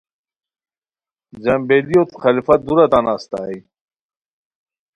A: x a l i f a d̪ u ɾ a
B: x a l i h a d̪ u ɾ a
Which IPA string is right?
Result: A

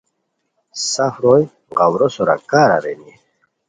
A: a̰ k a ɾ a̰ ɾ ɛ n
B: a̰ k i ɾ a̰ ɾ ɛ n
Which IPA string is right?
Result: A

